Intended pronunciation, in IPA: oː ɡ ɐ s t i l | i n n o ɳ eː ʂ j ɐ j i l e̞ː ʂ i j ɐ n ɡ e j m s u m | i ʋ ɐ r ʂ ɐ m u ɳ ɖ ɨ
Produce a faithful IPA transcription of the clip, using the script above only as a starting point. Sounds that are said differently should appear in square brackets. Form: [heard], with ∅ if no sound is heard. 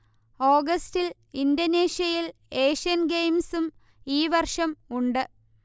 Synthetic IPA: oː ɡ ɐ s t i l | i n [d] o [n] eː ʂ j ɐ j i l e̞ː ʂ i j ɐ n ɡ e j m s u m | [iː] ʋ ɐ r ʂ ɐ m u ɳ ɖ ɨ